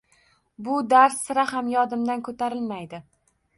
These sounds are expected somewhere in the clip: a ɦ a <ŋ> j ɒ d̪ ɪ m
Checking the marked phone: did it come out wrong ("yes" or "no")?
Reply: yes